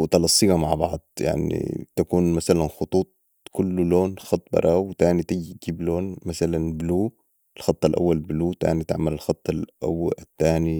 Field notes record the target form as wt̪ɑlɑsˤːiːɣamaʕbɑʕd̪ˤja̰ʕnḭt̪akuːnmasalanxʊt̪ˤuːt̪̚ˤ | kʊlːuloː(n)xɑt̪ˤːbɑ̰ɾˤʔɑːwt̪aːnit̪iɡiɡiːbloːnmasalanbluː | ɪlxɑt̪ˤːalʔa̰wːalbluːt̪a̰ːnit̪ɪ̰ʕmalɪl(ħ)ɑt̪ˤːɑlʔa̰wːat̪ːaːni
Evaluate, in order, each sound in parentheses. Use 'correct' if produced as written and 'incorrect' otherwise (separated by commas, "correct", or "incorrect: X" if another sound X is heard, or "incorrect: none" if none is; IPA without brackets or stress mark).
correct, incorrect: x